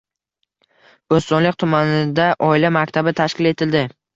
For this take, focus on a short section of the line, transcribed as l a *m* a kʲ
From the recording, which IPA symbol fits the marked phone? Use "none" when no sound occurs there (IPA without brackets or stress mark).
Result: m